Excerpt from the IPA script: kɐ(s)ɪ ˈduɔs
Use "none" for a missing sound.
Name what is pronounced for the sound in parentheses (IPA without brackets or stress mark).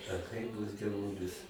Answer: none